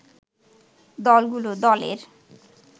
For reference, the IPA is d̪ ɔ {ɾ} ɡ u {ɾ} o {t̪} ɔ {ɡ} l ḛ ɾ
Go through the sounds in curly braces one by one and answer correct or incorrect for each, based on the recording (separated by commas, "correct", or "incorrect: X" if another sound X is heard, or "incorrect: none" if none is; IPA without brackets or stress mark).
incorrect: l, incorrect: l, incorrect: d̪, incorrect: none